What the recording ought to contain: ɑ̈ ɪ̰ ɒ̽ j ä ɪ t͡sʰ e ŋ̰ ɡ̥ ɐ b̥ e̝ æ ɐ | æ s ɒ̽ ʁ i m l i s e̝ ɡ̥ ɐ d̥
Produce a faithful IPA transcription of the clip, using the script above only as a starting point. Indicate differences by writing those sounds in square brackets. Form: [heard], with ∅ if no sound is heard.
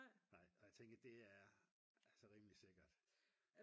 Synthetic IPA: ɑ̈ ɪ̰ ɒ̽ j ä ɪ t͡sʰ e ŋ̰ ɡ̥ ɐ [d̥] e̝ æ ɐ | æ s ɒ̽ ʁ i m l i s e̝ ɡ̥ ɐ d̥